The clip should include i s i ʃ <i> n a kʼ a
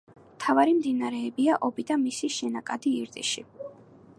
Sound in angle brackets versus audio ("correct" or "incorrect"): incorrect